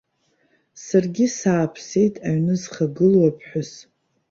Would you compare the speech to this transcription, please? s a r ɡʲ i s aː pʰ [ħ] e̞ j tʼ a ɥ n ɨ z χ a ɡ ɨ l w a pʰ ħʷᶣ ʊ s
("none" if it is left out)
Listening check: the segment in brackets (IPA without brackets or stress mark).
s